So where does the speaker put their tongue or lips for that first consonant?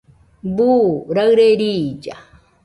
lips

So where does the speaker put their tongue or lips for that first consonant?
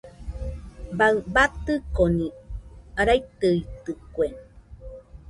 lips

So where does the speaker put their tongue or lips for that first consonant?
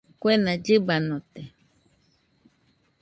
velum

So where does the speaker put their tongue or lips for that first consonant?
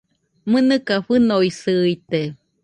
lips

